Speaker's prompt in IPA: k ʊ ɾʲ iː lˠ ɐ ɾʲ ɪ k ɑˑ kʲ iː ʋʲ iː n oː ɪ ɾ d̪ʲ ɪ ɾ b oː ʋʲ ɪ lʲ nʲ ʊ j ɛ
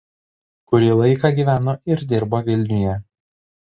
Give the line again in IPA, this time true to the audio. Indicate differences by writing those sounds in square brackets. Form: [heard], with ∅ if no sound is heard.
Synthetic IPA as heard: k ʊ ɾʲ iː lˠ ɐ [∅] ɪ k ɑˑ [ɡʲ] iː ʋʲ [æː] n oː ɪ ɾ d̪ʲ ɪ ɾ b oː ʋʲ ɪ lʲ nʲ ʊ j ɛ